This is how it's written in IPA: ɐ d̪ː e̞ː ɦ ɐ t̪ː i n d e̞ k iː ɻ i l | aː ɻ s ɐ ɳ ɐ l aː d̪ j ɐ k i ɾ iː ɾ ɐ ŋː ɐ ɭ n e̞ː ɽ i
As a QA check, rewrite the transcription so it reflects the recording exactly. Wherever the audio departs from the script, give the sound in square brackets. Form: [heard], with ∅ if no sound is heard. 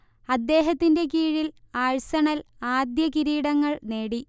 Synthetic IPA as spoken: ɐ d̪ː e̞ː ɦ ɐ t̪ː i n d e̞ k iː ɻ i l | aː ɻ s ɐ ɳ ɐ l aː d̪ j ɐ k i ɾ iː [ɽ] ɐ ŋː ɐ ɭ n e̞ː ɽ i